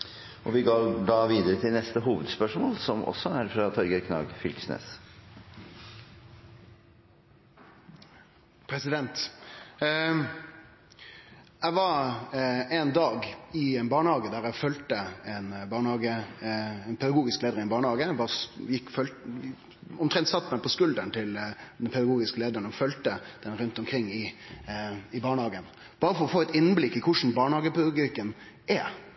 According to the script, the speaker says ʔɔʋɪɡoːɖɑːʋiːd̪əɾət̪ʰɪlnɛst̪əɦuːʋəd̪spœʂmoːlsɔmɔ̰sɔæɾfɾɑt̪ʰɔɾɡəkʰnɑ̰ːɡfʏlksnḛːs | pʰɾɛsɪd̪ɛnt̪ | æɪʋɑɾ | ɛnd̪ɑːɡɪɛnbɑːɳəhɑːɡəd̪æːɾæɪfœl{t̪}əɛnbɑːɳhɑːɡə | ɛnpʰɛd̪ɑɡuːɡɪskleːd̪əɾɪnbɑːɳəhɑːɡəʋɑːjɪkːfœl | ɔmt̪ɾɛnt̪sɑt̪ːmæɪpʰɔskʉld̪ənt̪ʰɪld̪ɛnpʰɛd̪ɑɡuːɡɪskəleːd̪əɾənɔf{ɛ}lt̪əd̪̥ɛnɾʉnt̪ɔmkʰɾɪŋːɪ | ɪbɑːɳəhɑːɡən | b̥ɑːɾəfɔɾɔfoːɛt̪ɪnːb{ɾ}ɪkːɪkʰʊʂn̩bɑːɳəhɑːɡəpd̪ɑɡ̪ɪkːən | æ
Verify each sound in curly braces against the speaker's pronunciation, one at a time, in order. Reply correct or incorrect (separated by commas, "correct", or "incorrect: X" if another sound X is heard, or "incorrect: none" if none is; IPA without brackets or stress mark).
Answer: correct, incorrect: œ, incorrect: l